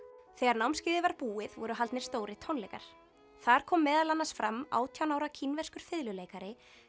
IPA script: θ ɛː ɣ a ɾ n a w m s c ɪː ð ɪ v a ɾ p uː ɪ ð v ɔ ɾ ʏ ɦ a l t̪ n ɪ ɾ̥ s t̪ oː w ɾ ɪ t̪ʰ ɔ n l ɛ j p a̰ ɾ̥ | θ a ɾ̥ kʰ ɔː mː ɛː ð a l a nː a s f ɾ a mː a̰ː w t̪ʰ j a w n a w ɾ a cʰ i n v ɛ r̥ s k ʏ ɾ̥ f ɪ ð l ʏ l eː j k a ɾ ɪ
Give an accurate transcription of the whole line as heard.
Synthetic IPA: θ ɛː ɣ a ɾ n a w m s c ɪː ð ɪ v a ɾ p uː ɪ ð v ɔ ɾ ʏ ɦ a l t̪ n ɪ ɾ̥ s t̪ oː w ɾ ɪ t̪ʰ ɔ n l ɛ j k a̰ ɾ̥ | θ a ɾ̥ kʰ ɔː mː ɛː ð a l a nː a s f ɾ a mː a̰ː w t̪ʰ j a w n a w ɾ a cʰ i n v ɛ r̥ s k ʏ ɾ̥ f ɪ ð l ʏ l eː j k a ɾ ɪ